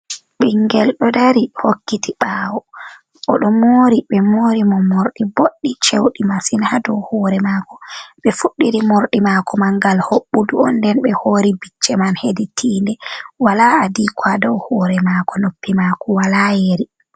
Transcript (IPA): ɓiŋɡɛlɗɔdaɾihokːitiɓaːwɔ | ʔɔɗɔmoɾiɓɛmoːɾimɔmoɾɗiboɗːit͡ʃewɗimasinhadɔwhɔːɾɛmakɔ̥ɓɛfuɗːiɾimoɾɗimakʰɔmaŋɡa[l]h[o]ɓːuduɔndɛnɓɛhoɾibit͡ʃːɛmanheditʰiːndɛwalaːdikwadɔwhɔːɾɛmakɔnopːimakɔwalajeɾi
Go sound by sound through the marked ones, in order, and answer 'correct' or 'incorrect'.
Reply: correct, correct

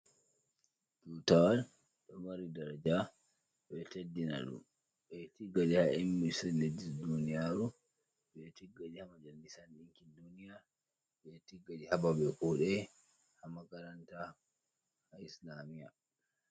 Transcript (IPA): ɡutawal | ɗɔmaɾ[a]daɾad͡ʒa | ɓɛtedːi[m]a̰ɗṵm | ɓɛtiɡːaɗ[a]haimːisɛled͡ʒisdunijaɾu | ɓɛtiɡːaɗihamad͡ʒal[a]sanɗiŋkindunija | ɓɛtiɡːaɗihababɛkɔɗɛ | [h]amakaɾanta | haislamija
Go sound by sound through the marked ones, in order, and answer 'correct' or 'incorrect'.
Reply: incorrect, incorrect, incorrect, incorrect, correct

